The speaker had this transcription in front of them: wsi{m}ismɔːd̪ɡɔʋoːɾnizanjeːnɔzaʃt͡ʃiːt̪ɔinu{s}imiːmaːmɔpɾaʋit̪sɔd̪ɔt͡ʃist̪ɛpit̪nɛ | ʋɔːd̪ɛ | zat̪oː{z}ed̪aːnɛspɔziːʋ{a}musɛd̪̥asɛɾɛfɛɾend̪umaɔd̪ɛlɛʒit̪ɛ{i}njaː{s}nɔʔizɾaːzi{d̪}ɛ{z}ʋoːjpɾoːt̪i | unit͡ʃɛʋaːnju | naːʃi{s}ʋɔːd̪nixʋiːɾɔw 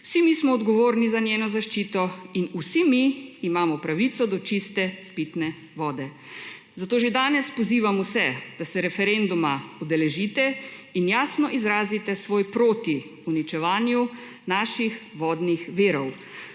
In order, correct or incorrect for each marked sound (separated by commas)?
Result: correct, correct, incorrect, correct, correct, correct, incorrect, incorrect, incorrect